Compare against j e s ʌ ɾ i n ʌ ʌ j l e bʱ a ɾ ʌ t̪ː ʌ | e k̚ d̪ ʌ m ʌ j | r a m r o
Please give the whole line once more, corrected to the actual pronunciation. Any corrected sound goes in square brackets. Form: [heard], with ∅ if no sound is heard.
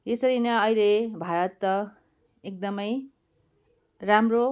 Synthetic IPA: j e s ʌ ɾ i n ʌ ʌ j l e bʱ a ɾ ʌ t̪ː ʌ | e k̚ d̪ ʌ m ʌ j | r a m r o